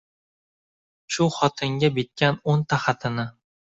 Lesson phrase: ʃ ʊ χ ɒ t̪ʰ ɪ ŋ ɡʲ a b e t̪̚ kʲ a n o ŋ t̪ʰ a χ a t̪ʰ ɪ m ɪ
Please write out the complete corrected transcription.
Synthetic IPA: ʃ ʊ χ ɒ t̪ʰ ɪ ŋ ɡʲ a b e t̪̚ kʲ a n o n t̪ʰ a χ a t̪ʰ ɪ n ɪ